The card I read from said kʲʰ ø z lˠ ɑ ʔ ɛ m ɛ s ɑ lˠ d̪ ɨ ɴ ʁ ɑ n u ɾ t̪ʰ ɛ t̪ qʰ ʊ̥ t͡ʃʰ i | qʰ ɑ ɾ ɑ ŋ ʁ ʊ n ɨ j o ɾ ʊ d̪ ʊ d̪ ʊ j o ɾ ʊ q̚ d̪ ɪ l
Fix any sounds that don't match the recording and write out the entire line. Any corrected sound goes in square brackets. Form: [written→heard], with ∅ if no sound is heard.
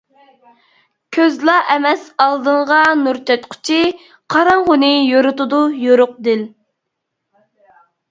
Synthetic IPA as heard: kʲʰ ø z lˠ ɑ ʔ ɛ m ɛ s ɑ lˠ d̪ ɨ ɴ ʁ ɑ n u ɾ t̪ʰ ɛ t̪ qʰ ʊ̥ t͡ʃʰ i | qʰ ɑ ɾ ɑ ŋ ʁ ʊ n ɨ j o ɾ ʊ [d̪→t̪] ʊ d̪ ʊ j o ɾ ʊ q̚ d̪ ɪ l